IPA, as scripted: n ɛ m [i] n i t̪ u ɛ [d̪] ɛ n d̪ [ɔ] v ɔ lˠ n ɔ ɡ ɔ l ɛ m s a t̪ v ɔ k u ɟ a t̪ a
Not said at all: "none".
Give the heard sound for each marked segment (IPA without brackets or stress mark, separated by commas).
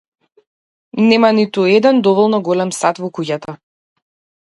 a, d̪, ɔ